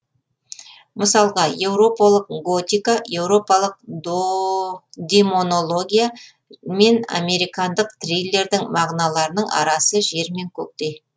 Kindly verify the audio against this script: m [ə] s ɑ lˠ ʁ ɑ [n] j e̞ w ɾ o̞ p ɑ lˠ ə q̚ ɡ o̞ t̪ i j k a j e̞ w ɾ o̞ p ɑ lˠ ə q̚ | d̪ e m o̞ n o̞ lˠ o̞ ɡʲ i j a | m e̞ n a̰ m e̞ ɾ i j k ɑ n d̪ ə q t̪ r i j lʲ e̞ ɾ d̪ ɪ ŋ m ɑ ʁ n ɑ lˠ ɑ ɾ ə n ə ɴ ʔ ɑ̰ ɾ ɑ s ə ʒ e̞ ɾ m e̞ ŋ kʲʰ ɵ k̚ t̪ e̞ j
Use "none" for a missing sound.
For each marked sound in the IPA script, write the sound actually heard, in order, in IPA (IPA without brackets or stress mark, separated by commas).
ə, none